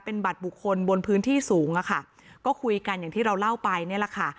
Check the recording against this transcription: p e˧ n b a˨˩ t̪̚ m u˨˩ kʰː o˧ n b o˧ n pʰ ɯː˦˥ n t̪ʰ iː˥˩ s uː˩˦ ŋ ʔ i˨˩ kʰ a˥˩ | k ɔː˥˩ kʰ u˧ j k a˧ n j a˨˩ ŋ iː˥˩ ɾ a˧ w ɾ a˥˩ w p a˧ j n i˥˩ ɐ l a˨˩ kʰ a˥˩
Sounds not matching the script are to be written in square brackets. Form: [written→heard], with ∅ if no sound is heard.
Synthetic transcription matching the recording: p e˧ n b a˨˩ t̪̚ [m→b] u˨˩ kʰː o˧ n b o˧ n pʰ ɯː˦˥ n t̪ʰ iː˥˩ s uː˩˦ ŋ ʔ [i˨˩→a˨˩] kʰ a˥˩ | k ɔː˥˩ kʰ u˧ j k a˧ n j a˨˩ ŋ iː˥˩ ɾ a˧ w [ɾ→l] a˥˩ w p a˧ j n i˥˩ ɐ l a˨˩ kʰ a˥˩